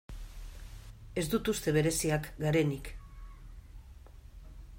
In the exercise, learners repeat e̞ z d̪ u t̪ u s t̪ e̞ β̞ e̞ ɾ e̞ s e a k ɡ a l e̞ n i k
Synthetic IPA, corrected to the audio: e̞ z d̪ u t̪ u s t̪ e̞ β̞ e̞ ɾ e̞ s i a k ɡ a ɾ e̞ n i k